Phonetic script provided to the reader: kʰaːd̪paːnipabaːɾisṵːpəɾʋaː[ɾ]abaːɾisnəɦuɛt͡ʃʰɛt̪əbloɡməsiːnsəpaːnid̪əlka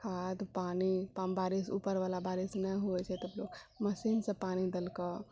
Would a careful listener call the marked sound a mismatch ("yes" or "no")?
yes